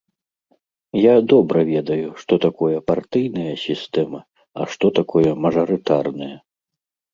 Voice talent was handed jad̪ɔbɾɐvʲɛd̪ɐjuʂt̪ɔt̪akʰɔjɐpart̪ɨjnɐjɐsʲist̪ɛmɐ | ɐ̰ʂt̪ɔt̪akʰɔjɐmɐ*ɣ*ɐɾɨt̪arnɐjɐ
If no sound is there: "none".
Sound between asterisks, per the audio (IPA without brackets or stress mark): ʐ